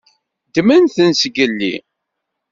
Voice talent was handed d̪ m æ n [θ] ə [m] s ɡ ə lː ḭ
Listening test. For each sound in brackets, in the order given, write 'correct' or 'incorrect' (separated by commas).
correct, incorrect